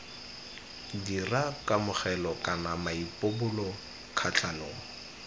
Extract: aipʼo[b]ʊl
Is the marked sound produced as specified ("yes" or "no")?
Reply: yes